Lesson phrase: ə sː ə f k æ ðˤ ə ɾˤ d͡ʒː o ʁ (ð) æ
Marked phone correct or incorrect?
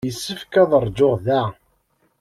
correct